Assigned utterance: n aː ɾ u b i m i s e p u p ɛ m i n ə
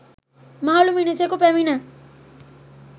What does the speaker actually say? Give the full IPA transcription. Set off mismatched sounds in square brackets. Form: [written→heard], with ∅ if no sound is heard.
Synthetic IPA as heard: [n→m] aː [ɾ→l] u [b→m] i [m→n] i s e [p→k] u p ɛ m i n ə